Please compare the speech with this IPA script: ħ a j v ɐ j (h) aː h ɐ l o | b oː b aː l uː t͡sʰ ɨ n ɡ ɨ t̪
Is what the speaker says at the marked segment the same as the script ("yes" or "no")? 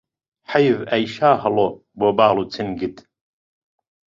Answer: no